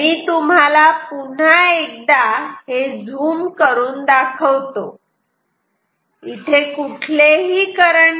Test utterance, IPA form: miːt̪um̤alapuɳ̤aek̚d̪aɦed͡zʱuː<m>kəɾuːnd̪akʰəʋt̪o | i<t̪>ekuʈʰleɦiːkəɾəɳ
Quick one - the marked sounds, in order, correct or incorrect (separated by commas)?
correct, incorrect